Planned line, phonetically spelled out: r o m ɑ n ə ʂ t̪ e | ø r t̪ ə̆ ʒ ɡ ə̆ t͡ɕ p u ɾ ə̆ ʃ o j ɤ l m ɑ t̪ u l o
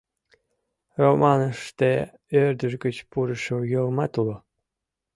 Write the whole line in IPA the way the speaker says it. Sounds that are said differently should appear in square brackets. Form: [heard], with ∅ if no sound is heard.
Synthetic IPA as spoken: r o m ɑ n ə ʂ t̪ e | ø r [d̪] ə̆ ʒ ɡ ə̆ t͡ɕ p u ɾ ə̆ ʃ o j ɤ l m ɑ t̪ u l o